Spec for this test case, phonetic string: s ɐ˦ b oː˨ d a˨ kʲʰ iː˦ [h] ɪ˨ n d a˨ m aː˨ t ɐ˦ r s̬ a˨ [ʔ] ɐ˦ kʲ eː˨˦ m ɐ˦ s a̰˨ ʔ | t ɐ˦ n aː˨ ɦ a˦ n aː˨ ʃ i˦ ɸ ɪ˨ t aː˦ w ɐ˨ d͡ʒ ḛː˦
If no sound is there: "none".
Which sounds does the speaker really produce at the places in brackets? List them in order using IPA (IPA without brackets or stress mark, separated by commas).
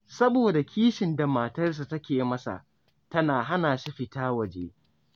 ʃ, t